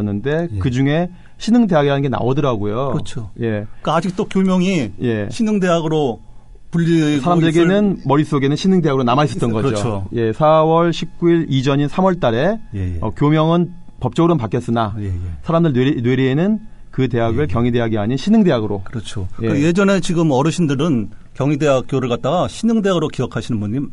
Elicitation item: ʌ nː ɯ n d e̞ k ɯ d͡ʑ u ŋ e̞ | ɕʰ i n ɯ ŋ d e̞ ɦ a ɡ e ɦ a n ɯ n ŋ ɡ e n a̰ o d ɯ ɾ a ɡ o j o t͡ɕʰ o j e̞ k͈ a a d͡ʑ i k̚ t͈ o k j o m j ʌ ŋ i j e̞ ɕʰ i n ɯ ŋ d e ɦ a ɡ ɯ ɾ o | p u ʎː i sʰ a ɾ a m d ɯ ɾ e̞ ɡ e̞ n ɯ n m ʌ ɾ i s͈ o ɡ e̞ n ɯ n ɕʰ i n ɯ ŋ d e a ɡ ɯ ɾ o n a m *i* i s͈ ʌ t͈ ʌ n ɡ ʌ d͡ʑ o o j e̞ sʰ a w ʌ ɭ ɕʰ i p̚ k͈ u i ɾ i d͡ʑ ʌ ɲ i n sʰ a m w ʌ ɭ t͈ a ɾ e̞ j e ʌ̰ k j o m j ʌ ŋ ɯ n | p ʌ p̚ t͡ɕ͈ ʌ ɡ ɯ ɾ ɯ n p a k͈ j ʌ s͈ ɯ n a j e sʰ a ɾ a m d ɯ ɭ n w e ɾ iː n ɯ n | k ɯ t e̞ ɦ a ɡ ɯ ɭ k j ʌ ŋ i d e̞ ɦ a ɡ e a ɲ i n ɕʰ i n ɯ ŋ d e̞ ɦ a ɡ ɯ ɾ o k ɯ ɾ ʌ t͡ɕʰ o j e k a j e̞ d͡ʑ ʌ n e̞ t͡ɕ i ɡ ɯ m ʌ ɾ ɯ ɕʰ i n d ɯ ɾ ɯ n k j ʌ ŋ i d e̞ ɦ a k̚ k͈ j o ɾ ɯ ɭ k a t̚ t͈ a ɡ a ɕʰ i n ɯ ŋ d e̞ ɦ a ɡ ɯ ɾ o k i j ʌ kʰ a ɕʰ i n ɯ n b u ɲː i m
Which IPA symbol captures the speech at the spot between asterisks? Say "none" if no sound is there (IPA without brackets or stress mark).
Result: a